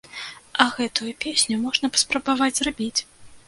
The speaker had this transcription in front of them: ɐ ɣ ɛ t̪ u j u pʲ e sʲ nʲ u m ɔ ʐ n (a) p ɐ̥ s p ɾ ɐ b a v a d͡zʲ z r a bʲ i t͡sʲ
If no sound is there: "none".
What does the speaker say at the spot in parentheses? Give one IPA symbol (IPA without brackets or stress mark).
ɐ